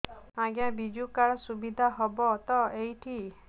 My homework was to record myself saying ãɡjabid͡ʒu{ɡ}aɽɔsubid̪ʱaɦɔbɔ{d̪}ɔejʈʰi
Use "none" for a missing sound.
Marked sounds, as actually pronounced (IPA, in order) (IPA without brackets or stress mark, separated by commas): k, t̪